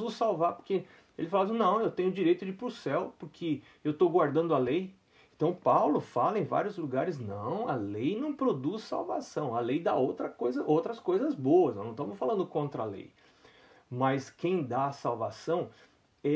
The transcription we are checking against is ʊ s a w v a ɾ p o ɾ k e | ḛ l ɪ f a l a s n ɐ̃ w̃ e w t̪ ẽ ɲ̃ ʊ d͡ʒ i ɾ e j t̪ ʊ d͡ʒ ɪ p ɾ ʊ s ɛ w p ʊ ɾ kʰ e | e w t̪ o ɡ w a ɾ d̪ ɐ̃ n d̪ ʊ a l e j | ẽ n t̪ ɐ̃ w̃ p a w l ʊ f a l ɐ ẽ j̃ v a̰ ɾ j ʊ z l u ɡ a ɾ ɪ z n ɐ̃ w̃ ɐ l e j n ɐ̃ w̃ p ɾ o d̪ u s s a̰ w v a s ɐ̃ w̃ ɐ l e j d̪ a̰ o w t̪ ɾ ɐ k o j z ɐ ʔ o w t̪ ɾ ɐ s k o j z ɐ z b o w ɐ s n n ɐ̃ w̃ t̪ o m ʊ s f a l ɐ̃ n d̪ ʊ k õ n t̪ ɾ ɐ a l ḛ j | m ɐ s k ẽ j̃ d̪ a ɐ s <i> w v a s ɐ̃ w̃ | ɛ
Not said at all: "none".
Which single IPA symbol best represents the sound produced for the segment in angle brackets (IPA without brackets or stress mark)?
a